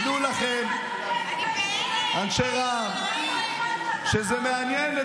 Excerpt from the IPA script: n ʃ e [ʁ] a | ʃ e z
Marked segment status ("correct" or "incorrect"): correct